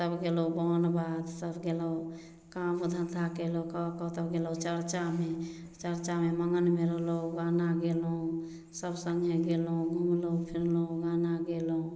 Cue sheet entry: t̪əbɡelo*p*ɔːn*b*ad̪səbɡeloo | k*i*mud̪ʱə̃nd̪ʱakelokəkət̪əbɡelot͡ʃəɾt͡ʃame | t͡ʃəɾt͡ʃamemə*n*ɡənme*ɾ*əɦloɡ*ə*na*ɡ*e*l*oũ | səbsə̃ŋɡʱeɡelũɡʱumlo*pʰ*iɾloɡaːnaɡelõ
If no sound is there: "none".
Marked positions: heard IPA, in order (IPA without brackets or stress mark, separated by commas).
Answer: b, b, a, ŋ, ɾ, a, ɡ, l, pʰ